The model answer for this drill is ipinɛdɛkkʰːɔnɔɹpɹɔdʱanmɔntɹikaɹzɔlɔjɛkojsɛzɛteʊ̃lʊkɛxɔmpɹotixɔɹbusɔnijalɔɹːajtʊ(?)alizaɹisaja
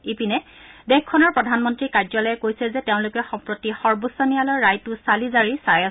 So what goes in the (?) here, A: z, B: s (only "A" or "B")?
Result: B